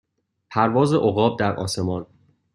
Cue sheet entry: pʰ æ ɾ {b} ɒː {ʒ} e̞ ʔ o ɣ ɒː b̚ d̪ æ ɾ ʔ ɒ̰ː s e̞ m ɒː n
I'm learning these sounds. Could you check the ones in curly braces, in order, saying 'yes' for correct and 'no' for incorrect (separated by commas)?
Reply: no, no